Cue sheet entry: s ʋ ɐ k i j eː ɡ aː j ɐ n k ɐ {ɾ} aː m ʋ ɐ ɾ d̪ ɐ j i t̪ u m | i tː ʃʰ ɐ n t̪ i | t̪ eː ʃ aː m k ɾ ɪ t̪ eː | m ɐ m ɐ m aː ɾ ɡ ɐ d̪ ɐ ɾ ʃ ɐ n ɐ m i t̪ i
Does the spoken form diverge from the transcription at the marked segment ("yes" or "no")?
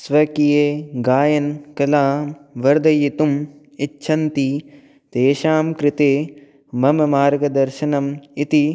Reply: yes